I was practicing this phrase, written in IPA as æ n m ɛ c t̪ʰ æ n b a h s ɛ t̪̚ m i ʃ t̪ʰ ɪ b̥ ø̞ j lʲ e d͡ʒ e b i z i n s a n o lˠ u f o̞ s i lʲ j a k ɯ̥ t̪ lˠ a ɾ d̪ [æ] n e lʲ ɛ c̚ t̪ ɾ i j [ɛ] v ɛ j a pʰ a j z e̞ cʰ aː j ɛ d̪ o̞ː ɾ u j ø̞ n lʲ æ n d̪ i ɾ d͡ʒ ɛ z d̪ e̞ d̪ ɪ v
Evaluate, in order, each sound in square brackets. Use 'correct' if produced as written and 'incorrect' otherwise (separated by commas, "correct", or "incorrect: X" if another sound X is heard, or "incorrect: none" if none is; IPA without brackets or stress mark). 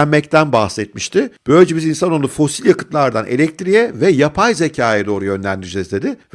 incorrect: a, correct